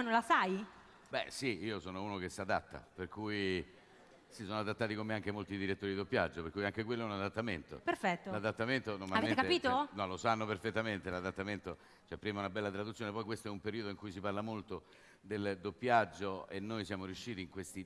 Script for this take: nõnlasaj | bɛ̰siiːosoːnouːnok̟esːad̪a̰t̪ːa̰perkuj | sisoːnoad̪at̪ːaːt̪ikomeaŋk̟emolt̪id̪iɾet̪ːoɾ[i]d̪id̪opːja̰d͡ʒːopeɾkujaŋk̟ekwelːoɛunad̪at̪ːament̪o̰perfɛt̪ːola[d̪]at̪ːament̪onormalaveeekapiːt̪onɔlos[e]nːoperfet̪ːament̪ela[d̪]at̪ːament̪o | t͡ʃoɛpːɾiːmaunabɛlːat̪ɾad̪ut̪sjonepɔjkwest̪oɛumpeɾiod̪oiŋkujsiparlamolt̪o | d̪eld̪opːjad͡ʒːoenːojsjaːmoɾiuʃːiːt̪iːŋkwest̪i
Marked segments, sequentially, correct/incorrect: correct, correct, incorrect, correct

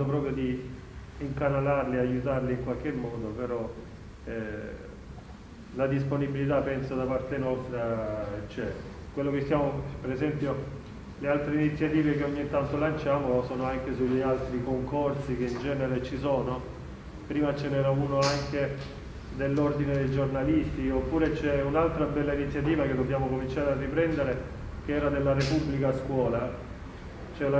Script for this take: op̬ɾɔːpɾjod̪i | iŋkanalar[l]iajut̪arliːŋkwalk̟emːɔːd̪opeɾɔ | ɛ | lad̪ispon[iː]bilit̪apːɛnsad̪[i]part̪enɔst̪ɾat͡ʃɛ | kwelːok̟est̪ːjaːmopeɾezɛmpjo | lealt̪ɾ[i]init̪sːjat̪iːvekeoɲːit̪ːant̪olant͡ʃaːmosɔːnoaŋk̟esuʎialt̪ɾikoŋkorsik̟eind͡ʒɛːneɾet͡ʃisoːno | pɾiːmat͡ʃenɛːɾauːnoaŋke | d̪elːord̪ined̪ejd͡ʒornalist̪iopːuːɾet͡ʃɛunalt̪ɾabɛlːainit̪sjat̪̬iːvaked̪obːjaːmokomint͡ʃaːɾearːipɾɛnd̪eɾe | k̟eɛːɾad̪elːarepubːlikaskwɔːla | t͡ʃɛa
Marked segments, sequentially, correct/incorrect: correct, incorrect, incorrect, incorrect

